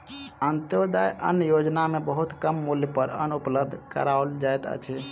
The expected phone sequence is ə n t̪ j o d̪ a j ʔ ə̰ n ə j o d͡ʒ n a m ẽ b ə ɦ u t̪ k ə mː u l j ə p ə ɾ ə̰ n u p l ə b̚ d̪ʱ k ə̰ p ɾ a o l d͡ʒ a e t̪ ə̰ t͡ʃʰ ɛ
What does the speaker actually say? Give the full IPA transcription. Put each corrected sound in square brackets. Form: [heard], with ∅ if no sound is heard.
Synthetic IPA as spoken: ə n t̪ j o d̪ a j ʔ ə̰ n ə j o d͡ʒ n a m [e] b ə ɦ u t̪ k ə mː u l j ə p ə ɾ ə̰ n u p l ə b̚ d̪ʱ k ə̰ [∅] ɾ a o l d͡ʒ a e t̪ ə̰ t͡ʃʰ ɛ